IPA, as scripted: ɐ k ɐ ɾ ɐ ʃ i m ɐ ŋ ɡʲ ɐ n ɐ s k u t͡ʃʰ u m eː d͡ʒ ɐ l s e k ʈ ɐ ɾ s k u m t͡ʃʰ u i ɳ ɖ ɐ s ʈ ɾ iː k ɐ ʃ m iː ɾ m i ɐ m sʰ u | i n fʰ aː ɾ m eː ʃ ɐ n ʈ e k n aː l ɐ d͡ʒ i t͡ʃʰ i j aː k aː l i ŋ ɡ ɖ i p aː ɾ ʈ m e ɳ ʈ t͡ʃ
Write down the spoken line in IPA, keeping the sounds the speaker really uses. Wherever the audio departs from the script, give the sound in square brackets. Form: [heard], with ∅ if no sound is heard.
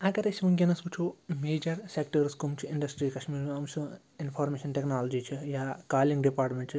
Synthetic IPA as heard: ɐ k ɐ ɾ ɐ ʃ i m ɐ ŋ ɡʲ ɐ n ɐ s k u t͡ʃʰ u m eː d͡ʒ ɐ [ɾ] s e k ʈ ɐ ɾ s k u m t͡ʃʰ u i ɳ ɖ ɐ s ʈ ɾ iː k ɐ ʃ m iː ɾ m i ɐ m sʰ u | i n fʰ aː ɾ m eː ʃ ɐ n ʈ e k n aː l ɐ d͡ʒ i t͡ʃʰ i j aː k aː l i ŋ ɡ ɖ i p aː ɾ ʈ m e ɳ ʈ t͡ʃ